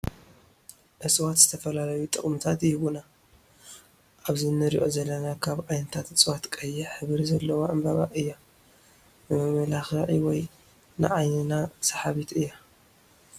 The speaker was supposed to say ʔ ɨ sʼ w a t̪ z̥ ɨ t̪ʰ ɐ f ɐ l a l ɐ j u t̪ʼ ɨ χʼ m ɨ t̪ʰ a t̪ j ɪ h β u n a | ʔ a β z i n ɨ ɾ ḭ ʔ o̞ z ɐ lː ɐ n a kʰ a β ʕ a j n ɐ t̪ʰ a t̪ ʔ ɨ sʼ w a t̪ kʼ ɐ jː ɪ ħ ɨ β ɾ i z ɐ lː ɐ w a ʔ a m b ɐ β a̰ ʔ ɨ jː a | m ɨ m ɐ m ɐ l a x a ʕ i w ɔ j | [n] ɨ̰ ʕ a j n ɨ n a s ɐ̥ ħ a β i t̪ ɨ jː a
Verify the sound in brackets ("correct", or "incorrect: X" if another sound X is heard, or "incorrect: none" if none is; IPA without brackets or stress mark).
correct